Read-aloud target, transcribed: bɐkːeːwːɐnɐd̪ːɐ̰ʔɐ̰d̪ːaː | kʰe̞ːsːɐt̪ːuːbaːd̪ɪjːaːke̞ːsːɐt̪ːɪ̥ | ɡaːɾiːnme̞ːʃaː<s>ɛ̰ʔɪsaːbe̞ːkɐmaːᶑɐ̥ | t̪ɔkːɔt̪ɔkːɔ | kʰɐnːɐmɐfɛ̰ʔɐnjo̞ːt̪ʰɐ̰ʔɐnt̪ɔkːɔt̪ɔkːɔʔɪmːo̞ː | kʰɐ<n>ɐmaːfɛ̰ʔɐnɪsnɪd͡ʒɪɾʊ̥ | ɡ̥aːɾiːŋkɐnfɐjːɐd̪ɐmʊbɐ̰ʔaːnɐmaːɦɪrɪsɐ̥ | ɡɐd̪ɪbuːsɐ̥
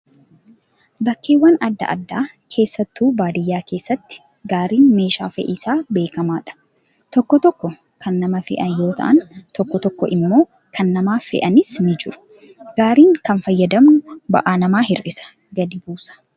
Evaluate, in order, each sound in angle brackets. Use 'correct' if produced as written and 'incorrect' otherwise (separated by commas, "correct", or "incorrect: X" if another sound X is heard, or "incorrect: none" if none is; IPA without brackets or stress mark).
incorrect: f, incorrect: nː